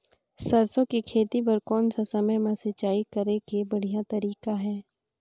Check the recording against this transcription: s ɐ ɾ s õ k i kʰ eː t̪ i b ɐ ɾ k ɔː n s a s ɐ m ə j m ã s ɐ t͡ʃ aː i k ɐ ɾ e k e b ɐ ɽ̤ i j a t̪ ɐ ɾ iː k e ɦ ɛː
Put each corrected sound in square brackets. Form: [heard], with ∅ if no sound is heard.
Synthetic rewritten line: s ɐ ɾ s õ k i kʰ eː t̪ i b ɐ ɾ k ɔː n s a s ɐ m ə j m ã s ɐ t͡ʃ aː i k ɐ ɾ e k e b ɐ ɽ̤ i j a t̪ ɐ ɾ iː k [a] ɦ ɛː